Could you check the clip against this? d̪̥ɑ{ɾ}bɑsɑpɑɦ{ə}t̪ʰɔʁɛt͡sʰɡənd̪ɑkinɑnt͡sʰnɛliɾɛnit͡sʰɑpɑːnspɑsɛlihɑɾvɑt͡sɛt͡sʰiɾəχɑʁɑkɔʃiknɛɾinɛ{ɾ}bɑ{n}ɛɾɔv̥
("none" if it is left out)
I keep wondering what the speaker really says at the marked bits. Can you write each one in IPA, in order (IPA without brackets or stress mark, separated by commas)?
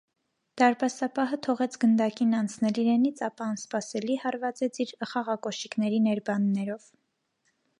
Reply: ɾ, ə, ɾ, nː